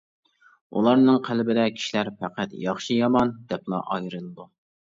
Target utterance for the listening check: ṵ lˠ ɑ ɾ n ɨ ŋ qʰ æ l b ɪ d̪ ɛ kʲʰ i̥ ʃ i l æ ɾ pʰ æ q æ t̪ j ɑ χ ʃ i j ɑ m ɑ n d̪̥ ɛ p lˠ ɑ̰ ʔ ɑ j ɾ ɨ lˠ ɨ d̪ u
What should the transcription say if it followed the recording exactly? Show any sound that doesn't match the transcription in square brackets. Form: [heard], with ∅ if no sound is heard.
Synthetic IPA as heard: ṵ lˠ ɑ ɾ n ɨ ŋ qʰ æ l b ɪ d̪ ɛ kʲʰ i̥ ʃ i l æ ɾ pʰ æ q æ t̪ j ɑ χ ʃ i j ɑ m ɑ n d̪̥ ɛ p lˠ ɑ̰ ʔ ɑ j ɾ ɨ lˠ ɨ d̪ u